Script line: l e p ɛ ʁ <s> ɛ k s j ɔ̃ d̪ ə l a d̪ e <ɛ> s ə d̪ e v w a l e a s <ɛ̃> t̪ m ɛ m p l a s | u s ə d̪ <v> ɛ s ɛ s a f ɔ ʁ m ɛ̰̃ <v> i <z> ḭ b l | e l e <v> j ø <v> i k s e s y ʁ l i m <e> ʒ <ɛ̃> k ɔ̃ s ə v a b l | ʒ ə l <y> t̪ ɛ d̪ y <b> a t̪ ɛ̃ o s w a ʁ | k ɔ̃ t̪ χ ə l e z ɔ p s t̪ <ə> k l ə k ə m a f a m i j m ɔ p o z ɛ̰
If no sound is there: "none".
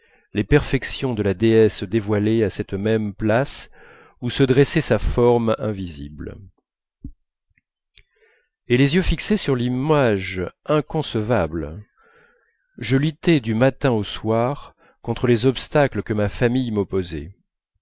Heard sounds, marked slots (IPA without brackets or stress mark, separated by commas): f, ɛ, ɛ, ʁ, v, z, z, f, a, ɛ̃, y, m, a